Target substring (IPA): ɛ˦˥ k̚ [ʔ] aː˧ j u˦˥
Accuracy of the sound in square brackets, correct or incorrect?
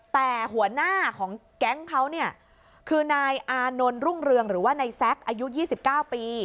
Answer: correct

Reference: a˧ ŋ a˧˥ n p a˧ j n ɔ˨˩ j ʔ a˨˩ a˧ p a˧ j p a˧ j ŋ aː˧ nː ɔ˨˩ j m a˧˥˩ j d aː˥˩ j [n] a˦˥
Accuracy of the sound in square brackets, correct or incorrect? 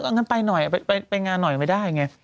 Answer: incorrect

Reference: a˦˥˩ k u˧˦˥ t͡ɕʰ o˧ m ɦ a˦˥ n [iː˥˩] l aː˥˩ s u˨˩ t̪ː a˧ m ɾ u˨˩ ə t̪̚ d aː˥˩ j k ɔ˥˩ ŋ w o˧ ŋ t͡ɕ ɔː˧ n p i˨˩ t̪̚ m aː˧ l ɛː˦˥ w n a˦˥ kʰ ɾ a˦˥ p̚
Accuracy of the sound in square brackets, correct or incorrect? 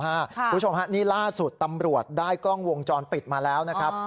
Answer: correct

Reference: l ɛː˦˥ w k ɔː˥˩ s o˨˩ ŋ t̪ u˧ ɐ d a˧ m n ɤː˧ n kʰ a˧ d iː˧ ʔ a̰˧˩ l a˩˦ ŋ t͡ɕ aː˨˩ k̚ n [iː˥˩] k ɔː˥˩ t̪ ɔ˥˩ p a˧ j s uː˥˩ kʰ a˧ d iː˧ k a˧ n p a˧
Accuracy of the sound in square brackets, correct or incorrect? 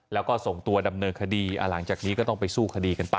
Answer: incorrect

